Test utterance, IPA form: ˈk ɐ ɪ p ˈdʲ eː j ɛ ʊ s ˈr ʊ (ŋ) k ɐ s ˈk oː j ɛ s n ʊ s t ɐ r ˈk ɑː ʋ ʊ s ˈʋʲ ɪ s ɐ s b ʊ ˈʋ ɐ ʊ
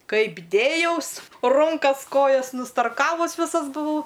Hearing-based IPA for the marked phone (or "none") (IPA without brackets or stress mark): ŋ